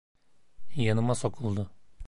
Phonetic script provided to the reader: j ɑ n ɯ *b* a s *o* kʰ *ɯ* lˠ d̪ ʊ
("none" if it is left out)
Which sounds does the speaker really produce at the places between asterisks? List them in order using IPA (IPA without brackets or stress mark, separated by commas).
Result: m, o, u